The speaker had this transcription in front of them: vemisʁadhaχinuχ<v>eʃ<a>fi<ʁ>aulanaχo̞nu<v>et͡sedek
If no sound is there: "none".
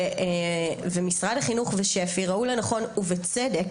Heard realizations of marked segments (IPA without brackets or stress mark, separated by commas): v, e, ʁ, v